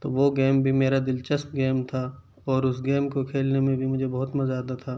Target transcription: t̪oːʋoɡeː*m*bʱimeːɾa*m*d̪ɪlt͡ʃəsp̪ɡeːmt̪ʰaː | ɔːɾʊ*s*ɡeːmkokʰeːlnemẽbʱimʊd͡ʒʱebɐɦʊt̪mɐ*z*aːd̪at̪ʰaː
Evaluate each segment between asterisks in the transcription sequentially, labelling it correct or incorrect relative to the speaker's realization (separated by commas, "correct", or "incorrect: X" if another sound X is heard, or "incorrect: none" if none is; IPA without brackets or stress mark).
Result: correct, incorrect: none, correct, correct